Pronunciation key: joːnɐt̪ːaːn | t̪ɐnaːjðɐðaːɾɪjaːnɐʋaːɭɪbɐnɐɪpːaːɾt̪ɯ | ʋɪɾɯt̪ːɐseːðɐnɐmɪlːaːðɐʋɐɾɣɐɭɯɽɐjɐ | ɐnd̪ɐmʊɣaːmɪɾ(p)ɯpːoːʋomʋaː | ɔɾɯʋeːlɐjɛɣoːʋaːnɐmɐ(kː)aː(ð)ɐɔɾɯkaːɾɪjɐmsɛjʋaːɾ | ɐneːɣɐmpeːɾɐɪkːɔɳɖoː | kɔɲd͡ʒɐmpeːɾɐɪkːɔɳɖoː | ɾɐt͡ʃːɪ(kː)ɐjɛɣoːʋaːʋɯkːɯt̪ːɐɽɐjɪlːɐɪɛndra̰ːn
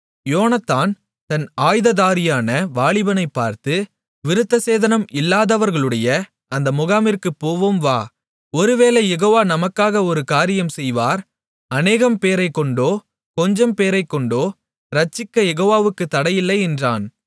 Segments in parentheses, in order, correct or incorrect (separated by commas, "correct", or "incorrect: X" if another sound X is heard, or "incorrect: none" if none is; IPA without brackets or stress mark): incorrect: k, correct, incorrect: ɣ, correct